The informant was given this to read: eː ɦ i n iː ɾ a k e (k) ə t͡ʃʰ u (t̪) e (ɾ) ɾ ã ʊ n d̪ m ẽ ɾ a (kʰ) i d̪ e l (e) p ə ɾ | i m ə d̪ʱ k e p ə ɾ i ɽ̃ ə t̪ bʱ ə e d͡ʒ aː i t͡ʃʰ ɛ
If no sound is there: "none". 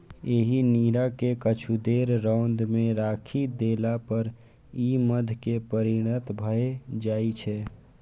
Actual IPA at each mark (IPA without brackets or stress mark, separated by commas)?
k, d̪, ɾ, kʰ, a